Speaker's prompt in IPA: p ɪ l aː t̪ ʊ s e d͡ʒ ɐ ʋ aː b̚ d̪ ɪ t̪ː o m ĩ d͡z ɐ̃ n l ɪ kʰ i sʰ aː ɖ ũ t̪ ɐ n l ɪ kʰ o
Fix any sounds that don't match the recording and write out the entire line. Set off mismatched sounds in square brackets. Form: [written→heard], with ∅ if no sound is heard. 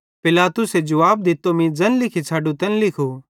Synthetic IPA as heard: p ɪ l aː t̪ ʊ s e d͡ʒ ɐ ʋ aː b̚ d̪ ɪ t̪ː o m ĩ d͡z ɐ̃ n l ɪ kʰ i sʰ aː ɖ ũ t̪ ɐ n l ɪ kʰ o